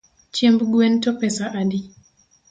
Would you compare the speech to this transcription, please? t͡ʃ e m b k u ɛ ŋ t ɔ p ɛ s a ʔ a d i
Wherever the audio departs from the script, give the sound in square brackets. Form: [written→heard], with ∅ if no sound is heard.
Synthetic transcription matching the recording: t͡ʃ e m b [k→ɡ] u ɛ [ŋ→n] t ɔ p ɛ s a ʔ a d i